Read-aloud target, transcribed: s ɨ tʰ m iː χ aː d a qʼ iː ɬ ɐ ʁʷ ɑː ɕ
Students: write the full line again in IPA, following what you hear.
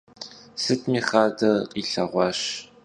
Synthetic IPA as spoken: s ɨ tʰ m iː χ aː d ɐ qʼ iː ɬ ɐ ʁʷ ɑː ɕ